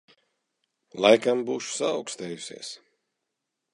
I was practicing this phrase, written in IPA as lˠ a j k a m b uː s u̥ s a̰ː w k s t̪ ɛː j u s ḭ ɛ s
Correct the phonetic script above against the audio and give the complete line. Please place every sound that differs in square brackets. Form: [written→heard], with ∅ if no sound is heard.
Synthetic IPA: lˠ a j k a m b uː [s→ʃ] u̥ s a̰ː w k s t̪ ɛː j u s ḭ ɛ s